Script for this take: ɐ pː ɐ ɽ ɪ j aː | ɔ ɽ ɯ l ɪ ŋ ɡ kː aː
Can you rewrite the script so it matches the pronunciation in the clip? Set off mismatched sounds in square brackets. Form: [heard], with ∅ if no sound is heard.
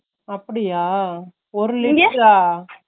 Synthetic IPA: ɐ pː ɐ ɽ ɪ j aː | ɔ [ɾ] ɯ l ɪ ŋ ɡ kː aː